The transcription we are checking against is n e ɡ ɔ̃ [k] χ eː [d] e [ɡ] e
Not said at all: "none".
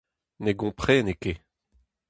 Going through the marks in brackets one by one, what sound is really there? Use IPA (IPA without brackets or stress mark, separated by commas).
p, n, k